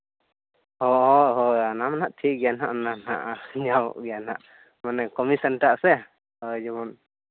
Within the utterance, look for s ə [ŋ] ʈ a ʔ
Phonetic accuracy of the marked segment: incorrect: n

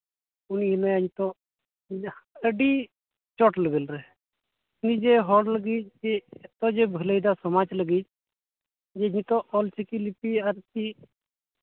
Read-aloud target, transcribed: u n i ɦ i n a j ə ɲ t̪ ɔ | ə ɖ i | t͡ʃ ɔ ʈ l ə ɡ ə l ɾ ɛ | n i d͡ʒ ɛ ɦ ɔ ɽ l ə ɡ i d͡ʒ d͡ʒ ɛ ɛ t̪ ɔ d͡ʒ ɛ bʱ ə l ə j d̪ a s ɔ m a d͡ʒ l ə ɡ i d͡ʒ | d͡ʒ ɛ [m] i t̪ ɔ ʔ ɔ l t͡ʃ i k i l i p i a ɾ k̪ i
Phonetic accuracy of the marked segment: incorrect: ɲ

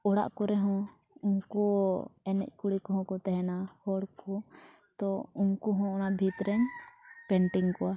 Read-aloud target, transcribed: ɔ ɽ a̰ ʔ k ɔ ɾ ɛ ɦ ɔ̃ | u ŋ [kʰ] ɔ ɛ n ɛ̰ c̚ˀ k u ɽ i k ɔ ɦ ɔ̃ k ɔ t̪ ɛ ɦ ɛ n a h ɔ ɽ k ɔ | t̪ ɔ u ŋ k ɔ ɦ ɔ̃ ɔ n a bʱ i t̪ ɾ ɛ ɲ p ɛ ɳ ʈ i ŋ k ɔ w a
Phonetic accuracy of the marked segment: incorrect: k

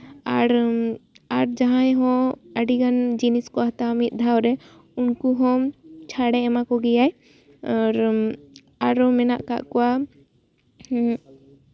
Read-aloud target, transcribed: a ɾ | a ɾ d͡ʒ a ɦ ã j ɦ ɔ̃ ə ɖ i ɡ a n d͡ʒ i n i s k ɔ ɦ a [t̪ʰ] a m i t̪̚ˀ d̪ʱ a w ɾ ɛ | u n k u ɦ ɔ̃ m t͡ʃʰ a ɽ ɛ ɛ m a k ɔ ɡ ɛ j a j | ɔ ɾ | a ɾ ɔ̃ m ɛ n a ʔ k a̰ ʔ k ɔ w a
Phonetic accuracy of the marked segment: incorrect: t̪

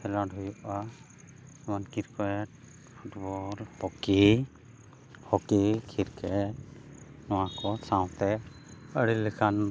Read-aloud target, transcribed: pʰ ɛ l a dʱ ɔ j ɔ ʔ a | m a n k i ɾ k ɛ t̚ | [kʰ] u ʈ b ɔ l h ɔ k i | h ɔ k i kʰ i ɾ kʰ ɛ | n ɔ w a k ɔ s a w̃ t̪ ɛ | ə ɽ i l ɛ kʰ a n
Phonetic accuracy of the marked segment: incorrect: pʰ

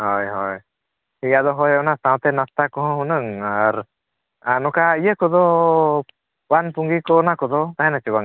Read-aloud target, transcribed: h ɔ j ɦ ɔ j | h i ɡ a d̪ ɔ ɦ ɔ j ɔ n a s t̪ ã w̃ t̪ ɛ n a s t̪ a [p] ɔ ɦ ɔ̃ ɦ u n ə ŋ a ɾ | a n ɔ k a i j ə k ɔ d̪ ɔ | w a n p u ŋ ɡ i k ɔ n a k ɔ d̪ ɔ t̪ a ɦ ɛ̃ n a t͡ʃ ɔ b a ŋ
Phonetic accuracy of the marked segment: incorrect: k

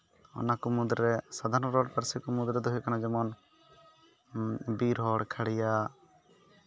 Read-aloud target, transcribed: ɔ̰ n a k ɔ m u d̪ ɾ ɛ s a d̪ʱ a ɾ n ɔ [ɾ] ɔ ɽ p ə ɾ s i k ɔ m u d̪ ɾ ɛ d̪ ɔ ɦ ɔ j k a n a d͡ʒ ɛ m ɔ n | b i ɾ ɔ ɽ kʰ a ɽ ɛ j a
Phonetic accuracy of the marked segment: correct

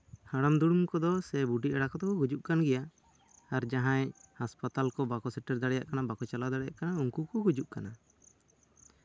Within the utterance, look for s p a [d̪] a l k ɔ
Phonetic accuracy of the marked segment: incorrect: t̪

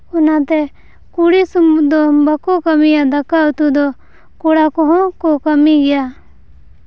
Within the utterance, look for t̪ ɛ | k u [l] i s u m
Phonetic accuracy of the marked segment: incorrect: ɽ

